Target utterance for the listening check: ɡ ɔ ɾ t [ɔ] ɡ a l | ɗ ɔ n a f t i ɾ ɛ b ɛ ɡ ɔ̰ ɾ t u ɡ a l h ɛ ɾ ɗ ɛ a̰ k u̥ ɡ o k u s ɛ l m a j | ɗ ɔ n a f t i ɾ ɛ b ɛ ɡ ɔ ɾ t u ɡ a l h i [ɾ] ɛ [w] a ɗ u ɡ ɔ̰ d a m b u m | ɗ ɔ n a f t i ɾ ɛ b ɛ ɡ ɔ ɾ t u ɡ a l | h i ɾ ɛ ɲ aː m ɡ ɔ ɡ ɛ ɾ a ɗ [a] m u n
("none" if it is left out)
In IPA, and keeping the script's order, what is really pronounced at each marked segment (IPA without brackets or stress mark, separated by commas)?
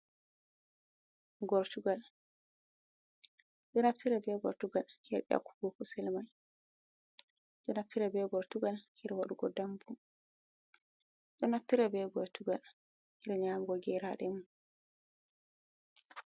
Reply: u, ɾ, w, ɛ